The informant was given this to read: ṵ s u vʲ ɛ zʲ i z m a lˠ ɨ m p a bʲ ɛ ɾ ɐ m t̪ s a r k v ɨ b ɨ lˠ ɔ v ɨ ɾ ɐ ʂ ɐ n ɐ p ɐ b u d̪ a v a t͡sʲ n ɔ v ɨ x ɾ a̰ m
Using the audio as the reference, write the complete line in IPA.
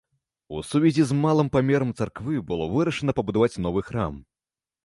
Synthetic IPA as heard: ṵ s u vʲ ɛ zʲ i z m a lˠ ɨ m p a mʲ ɛ ɾ ɐ m t̪ s a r k v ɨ b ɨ lˠ ɔ v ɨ ɾ ɐ ʂ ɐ n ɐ p ɐ b u d̪ a v a t͡sʲ n ɔ v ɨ x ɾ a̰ m